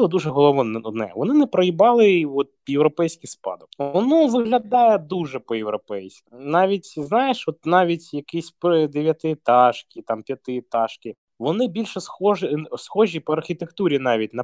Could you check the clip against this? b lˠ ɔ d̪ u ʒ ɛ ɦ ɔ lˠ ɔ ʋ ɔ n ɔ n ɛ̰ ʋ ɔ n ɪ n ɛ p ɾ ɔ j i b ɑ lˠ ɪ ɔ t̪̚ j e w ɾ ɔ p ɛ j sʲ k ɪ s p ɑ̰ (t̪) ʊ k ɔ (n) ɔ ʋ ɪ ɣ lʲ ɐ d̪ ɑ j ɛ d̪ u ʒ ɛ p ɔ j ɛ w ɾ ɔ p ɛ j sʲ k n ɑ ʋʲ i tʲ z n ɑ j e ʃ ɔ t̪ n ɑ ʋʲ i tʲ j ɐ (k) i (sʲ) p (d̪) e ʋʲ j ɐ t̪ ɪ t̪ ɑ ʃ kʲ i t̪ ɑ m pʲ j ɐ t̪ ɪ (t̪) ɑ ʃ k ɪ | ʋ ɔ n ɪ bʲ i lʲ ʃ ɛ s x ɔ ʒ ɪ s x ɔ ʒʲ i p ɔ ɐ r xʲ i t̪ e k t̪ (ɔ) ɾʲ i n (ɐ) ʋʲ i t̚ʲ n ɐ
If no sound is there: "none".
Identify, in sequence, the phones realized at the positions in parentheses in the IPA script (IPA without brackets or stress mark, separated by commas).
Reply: d̪, n, k, sʲ, d̪, t̪, u, ɑ